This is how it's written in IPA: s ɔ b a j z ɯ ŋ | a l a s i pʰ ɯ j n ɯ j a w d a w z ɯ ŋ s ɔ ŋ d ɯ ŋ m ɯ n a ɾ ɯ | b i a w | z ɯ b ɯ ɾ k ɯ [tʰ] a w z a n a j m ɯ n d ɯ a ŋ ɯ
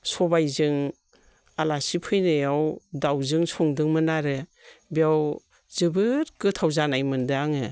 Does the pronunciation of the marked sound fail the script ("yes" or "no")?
no